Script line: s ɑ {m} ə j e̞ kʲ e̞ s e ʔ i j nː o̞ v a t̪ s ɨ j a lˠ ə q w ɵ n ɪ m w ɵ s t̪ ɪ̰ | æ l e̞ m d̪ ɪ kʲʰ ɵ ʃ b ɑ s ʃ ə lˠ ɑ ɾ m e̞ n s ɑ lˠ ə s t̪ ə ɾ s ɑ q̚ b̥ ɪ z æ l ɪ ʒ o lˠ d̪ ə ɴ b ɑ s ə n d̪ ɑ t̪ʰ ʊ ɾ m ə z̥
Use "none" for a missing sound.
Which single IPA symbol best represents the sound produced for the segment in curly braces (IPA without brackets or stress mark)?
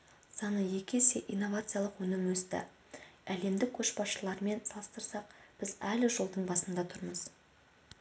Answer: n